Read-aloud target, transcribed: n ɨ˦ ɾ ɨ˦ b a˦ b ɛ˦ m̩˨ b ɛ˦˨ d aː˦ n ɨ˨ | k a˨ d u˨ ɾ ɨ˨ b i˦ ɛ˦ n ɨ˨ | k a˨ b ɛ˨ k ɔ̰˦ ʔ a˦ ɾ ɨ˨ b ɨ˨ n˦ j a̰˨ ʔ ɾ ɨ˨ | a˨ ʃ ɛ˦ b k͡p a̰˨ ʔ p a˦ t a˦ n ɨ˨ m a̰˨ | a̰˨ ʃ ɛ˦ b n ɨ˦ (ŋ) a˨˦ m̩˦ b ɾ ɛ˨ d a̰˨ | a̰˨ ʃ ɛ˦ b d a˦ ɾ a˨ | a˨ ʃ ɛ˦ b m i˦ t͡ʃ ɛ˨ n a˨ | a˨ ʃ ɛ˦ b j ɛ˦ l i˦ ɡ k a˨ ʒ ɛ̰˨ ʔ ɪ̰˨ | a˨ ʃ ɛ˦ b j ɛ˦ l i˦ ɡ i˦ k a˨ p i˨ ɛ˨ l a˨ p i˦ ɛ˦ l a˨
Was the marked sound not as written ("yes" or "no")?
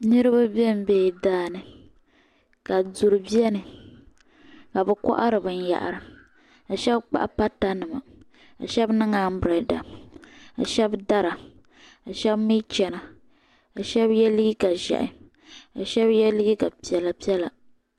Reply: no